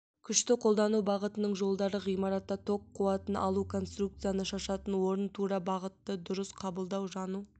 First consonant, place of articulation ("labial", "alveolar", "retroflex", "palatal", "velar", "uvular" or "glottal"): velar